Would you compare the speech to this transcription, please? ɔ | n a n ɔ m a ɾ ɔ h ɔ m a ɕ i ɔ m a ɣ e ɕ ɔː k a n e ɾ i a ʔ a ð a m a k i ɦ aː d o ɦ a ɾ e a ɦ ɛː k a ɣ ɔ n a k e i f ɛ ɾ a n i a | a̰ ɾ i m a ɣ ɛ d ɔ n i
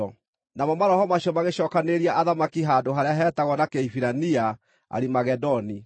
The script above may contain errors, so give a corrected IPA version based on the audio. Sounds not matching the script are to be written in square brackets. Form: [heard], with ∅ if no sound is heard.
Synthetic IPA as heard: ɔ | n a [m] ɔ m a ɾ ɔ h ɔ m a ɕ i ɔ m a ɣ e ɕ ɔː k a n e ɾ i a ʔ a ð a m a k i ɦ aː d o ɦ a ɾ e a ɦ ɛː [t] a ɣ ɔ n a k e i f [i] ɾ a n i a | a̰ ɾ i m a ɣ ɛ d ɔ n i

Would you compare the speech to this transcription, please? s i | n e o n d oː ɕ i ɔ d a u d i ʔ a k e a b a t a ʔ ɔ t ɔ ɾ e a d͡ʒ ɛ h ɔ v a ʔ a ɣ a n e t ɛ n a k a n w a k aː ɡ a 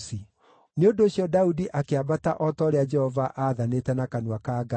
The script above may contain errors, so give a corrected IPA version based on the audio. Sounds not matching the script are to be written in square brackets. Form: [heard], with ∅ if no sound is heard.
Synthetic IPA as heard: s i | n e o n d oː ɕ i ɔ d a u d i ʔ a k e a b a t a ʔ ɔ t ɔ ɾ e a d͡ʒ ɛ h ɔ v a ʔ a [ð] a n e t ɛ n a k a n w a k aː ɡ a

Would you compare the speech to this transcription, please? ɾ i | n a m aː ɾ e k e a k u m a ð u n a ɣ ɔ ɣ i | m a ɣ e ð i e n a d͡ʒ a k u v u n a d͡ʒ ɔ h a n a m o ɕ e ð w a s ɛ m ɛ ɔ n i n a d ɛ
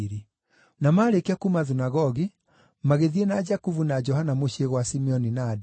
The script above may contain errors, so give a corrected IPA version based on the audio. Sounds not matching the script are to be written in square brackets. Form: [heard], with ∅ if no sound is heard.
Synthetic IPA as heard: ɾ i | n a m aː ɾ e k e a k u m a ð u n a ɣ ɔ ɣ i | m a ɣ e ð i e n a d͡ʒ a k u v u n a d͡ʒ ɔ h a n a m o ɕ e [ɣ] w a s [i] m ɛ ɔ n i n a d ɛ

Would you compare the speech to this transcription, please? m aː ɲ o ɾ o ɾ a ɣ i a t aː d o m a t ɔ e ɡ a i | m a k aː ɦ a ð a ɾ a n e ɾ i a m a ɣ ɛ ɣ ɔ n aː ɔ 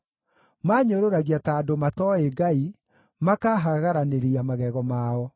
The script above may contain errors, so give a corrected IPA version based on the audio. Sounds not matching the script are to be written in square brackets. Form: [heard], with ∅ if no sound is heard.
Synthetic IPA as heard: m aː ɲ o ɾ o ɾ a ɣ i a t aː d o m a t ɔ e ɡ a i | m a k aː ɦ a [ɣ] a ɾ a n e ɾ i a m a ɣ ɛ ɣ ɔ [m] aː ɔ

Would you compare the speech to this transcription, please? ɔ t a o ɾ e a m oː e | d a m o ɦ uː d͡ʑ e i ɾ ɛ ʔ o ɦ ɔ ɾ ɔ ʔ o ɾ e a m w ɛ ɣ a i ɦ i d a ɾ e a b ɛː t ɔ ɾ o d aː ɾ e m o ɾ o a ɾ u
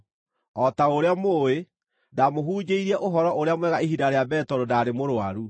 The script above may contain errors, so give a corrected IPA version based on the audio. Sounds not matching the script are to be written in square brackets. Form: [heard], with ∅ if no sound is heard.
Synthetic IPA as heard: ɔ t a o ɾ e a m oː e | d a m o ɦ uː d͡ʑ e i ɾ ɛ ʔ o ɦ ɔ ɾ ɔ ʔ o ɾ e a m w ɛ ɣ a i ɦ i d a ɾ e a b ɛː t ɔ ɾ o d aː ɾ e m o ɾ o a ɾ u

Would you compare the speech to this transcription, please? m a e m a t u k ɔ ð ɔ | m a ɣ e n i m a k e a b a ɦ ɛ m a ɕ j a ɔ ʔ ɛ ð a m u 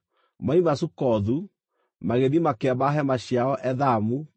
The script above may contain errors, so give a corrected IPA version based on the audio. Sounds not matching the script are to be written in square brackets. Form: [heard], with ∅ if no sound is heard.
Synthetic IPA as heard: m a [i] m a [s] u k ɔ ð [u] | m a ɣ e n i m a k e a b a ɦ ɛ m a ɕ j a ɔ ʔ ɛ ð a m u

